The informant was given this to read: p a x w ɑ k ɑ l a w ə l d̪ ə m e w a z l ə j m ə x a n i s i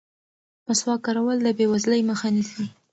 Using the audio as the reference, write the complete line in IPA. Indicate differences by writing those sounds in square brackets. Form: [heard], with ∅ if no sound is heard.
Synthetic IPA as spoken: p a [s] w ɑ k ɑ [ɾ] a w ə l d̪ ə [b] e w a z l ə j m ə x a n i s i